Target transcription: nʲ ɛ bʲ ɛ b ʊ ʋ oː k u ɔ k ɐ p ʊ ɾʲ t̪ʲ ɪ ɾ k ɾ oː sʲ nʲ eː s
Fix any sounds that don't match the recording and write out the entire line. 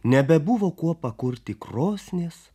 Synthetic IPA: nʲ ɛ bʲ ɛ b ʊ ʋ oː k u ɔ p ɐ k ʊ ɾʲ t̪ʲ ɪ k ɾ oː sʲ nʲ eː s